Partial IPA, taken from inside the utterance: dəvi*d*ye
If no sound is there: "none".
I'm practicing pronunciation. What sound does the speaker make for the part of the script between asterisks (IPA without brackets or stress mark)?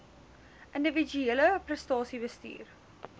d͡ʒ